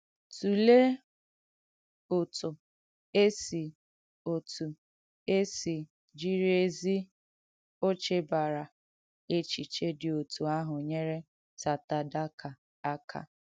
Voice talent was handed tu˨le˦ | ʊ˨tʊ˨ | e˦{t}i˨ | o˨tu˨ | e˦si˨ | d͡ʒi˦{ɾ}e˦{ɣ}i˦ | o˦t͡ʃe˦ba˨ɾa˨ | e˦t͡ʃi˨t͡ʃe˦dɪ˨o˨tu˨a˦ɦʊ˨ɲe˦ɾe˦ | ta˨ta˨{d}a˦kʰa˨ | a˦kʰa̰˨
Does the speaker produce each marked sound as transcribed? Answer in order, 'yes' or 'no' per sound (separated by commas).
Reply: no, yes, no, yes